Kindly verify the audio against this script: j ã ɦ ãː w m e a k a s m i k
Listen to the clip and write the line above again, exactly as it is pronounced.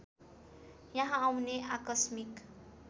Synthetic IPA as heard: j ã ɦ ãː w n e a k ʌ s m i k